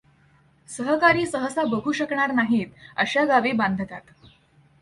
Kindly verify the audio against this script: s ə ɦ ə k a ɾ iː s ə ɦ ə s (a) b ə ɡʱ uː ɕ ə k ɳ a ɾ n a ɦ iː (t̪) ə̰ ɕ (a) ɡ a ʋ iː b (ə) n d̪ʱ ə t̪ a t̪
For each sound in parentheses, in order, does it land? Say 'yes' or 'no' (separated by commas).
yes, yes, yes, no